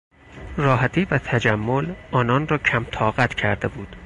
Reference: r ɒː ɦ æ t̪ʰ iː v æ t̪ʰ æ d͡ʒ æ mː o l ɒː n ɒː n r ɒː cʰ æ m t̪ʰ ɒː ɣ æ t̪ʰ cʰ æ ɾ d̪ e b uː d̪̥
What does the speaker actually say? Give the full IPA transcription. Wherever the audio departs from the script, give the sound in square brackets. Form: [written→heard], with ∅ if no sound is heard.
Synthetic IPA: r ɒː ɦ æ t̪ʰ iː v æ t̪ʰ æ d͡ʒ æ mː o l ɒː n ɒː n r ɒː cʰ æ m t̪ʰ ɒː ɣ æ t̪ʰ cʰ æ ɾ d̪ e b uː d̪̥